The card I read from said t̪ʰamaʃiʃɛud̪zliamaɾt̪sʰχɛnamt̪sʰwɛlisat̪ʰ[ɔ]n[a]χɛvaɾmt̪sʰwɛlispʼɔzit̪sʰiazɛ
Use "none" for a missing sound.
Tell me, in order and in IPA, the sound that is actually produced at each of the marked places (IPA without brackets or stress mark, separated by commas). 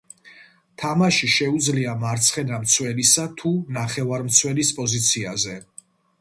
u, a